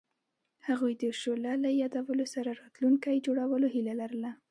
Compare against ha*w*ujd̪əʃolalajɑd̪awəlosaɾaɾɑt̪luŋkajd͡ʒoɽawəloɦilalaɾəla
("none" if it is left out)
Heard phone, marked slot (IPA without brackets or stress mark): ɣ